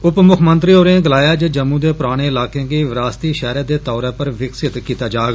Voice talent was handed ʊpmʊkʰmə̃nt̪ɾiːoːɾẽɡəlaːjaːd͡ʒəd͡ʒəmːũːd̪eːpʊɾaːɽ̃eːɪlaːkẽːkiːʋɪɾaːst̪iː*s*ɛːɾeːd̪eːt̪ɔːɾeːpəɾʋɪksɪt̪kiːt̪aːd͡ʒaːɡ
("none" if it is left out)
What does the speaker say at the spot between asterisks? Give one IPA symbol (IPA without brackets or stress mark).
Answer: ʃ